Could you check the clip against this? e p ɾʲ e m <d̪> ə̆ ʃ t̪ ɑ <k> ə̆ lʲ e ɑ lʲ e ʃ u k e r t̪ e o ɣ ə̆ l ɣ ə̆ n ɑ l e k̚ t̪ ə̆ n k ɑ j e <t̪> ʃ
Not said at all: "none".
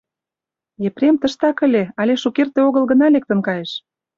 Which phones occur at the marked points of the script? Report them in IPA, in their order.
t̪, k, none

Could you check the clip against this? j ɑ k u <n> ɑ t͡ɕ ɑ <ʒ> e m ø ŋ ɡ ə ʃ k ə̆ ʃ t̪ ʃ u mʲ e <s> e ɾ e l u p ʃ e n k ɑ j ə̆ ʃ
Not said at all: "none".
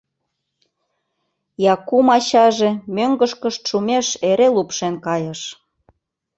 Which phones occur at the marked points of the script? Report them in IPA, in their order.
m, ʒ, ʃ

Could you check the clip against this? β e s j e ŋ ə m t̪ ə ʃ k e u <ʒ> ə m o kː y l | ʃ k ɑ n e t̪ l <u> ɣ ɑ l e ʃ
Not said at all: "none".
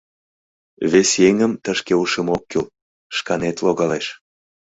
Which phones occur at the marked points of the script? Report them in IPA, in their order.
ʃ, o

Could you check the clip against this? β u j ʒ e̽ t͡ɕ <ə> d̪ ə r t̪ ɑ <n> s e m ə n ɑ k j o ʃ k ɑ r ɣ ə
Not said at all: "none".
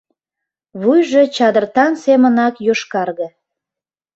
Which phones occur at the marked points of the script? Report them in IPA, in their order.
ɑ, n

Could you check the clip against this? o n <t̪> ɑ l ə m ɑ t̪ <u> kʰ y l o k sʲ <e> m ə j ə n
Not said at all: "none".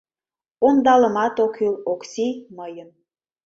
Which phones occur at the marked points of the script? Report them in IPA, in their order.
d̪, o, i

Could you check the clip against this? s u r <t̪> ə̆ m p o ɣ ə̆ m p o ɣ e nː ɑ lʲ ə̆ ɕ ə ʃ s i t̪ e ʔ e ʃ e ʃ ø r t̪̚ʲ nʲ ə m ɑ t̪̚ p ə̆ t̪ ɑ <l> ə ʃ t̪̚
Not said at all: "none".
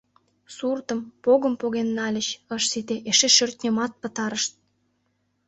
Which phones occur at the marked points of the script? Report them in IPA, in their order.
t̪, ɾ

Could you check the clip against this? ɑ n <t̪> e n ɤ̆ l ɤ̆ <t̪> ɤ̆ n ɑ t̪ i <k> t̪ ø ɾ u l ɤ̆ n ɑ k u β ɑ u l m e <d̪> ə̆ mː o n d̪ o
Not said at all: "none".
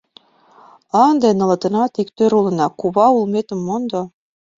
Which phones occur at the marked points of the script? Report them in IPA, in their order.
d̪, t̪, k, t̪

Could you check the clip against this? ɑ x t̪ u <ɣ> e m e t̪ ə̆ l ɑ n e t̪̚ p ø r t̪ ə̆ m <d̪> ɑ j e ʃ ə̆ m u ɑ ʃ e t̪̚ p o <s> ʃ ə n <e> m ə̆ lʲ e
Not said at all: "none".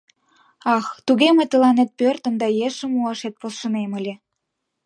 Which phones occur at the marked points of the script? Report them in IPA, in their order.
ɣ, d̪, s, e

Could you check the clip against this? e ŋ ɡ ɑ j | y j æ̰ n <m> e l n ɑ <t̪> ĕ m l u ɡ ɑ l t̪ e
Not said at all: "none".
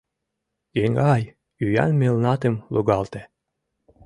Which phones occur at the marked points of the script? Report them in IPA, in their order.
m, t̪

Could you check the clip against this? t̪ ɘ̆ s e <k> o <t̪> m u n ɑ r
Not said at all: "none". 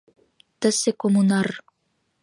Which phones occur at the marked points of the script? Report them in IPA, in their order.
k, none

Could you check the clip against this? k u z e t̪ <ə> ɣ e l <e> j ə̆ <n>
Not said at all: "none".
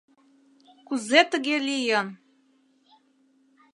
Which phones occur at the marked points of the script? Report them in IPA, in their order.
ə, i, n

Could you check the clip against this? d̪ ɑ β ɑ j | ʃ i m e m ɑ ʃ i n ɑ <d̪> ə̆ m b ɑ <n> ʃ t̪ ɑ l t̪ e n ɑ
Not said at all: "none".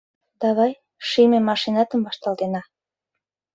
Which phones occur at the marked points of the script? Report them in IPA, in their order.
t̪, none

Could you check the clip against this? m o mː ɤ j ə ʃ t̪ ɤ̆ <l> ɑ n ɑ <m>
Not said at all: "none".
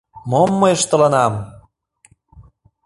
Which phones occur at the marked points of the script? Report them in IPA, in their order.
l, m

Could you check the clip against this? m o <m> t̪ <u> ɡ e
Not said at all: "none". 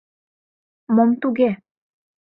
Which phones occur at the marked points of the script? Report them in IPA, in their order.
m, u

